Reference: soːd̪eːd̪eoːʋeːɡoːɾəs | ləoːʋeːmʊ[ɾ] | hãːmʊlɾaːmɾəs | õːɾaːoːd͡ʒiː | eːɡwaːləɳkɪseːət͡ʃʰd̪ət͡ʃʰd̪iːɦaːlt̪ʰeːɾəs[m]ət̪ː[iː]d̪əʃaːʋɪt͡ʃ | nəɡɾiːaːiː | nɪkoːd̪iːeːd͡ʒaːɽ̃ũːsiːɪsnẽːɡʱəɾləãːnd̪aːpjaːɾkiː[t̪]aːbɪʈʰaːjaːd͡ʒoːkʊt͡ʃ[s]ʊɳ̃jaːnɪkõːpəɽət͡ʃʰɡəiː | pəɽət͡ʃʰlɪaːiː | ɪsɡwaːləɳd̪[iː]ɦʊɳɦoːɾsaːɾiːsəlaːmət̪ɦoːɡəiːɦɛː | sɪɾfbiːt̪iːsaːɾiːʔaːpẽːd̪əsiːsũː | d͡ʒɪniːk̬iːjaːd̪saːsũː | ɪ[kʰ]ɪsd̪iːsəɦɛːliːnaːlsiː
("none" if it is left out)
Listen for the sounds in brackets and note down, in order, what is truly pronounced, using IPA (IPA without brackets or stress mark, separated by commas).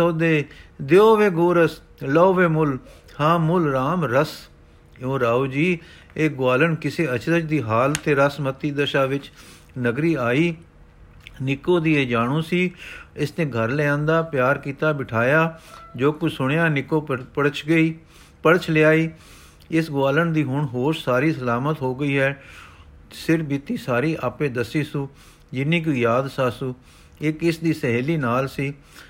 l, m, iː, t̪, s, iː, k